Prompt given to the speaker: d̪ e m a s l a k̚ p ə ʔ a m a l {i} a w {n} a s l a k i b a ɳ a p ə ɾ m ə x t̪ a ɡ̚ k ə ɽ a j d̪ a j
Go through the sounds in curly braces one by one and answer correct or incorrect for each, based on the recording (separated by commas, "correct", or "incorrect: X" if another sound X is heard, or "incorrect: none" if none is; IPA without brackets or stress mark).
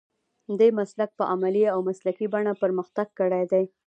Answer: correct, incorrect: m